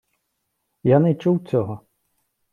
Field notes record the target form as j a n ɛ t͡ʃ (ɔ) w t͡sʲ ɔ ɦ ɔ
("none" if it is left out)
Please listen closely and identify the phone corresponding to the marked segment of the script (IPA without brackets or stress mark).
u